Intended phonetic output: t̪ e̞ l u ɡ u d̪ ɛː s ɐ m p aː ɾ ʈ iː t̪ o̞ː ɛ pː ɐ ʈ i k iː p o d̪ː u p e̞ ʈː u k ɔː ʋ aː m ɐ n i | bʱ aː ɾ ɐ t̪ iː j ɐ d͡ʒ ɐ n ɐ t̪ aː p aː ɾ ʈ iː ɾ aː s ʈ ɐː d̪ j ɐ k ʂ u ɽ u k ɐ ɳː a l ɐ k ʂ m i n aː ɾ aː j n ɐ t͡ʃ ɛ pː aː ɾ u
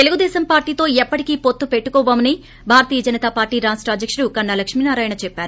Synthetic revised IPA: t̪ e̞ l u ɡ u d̪ ɛː s ɐ m p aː ɾ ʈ iː t̪ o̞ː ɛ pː ɐ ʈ i k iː p o t̪ː u p e̞ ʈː u k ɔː ʋ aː m ɐ n i | bʱ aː ɾ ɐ t̪ iː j ɐ d͡ʒ ɐ n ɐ t̪ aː p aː ɾ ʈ iː ɾ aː s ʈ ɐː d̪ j ɐ k ʂ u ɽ u k ɐ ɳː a l ɐ k ʂ m i n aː ɾ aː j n ɐ t͡ʃ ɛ pː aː ɾ u